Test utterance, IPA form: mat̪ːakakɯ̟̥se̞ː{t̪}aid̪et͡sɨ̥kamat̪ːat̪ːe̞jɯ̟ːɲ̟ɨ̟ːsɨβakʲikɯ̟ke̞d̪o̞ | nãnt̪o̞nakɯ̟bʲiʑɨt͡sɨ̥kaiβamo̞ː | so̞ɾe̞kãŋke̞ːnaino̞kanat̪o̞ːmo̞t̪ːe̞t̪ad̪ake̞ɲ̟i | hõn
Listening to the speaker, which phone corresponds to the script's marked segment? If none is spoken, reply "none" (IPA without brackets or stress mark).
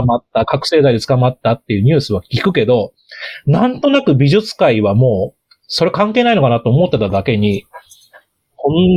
d̪